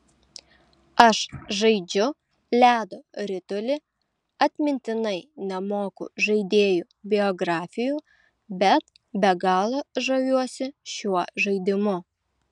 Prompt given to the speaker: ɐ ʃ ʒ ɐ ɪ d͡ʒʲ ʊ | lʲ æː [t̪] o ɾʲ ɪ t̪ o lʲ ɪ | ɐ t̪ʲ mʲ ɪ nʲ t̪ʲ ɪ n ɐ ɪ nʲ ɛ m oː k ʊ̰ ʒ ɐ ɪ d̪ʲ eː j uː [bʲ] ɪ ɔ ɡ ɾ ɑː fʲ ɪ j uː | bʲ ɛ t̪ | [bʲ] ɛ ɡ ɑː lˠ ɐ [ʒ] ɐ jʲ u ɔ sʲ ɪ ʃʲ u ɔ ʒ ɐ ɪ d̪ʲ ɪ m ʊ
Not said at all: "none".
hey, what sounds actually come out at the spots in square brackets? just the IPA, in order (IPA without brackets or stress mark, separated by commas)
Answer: d̪, bʲ, bʲ, ʒ